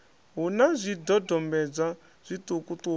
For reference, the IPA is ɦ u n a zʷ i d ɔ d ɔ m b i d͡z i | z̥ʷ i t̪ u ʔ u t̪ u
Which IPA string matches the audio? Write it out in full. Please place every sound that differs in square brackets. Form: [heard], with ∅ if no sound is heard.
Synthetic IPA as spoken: ɦ u n a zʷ i d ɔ d ɔ m b [ɛ] d͡z [a] | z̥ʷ i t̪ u [k] u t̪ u